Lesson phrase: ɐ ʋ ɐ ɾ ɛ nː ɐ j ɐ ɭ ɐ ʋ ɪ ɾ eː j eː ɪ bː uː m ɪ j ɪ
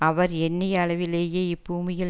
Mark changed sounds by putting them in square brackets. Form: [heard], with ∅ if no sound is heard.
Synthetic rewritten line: ɐ ʋ ɐ ɾ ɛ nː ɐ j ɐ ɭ ɐ ʋ ɪ [l] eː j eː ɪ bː uː m ɪ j ɪ